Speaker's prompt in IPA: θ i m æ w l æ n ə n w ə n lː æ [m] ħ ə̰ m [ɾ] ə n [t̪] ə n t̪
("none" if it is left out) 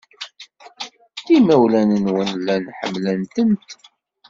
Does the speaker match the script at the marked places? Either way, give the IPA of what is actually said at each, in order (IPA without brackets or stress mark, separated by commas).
n, l, t̪